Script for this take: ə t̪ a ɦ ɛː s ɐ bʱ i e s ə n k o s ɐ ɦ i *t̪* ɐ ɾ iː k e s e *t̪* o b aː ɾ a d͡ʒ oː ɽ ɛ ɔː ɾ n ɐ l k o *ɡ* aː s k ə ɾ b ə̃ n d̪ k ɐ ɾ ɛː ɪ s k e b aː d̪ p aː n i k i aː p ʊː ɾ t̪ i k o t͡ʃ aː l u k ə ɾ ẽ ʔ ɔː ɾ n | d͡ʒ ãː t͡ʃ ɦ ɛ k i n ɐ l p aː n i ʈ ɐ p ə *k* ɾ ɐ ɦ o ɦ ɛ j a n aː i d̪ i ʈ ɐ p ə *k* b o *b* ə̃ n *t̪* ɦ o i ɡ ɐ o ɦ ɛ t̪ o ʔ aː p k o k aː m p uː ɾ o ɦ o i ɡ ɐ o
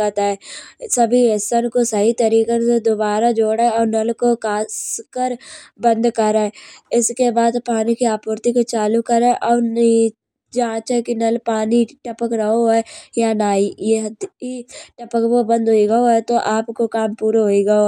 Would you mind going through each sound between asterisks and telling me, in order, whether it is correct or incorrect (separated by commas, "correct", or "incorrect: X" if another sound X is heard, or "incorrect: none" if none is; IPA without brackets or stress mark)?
correct, incorrect: d̪, incorrect: k, correct, correct, correct, incorrect: d̪